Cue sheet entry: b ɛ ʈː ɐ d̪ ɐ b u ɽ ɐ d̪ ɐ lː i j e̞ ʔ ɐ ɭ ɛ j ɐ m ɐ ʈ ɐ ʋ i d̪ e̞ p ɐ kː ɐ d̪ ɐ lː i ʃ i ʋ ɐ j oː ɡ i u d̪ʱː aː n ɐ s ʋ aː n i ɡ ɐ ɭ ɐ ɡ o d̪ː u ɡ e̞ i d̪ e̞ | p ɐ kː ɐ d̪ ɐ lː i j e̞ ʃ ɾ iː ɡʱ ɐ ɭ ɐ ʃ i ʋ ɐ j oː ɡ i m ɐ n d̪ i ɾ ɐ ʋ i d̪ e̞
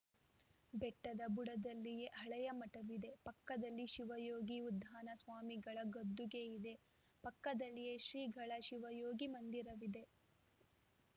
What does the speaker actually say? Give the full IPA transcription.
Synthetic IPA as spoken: b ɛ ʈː ɐ d̪ ɐ b u ɽ ɐ d̪ ɐ lː i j e̞ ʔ ɐ ɭ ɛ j ɐ m ɐ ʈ ɐ ʋ i d̪ e̞ p ɐ kː ɐ d̪ ɐ lː i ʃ i ʋ ɐ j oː ɡ i u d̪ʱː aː n ɐ s ʋ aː m i ɡ ɐ ɭ ɐ ɡ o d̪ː u ɡ e̞ i d̪ e̞ | p ɐ kː ɐ d̪ ɐ lː i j e̞ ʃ ɾ iː ɡʱ ɐ ɭ ɐ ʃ i ʋ ɐ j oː ɡ i m ɐ n d̪ i ɾ ɐ ʋ i d̪ e̞